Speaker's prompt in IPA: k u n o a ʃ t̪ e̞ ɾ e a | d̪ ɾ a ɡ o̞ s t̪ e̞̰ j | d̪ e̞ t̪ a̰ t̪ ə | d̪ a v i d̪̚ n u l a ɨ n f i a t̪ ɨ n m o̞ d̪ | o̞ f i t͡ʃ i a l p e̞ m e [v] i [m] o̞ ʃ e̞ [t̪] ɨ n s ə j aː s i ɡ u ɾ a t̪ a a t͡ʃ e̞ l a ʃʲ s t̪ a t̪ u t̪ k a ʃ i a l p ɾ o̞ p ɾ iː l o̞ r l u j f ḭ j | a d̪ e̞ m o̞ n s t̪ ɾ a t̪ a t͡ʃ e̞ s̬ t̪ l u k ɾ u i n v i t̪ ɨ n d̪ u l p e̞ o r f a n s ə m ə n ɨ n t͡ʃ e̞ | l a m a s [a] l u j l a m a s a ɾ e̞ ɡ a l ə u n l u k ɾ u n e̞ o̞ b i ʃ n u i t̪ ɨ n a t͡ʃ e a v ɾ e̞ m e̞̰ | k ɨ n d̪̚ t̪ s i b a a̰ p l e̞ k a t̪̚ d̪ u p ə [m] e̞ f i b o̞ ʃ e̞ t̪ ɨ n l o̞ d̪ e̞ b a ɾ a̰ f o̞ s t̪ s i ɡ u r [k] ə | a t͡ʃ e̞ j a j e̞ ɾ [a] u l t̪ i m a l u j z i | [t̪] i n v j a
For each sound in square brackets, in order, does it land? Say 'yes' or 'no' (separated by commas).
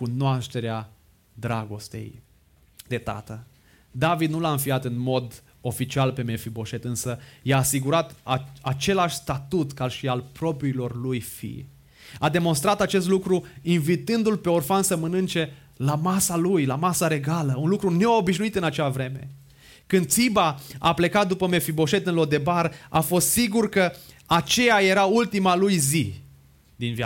no, no, yes, yes, yes, yes, yes, no